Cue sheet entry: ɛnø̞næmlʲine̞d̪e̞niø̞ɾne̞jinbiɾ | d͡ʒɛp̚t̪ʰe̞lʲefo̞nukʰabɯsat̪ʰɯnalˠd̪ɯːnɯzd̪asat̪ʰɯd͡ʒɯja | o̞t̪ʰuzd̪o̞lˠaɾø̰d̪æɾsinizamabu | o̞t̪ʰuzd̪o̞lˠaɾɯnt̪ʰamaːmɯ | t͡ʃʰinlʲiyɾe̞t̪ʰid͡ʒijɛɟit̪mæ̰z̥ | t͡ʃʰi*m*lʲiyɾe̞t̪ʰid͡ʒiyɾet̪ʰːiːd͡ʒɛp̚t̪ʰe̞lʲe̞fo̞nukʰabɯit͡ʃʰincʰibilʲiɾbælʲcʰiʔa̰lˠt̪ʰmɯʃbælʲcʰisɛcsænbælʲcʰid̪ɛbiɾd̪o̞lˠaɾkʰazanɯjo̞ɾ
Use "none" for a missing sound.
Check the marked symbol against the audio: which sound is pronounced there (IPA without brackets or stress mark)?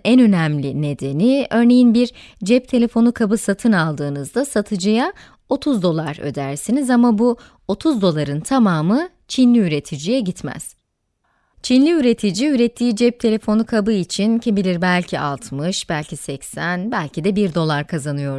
n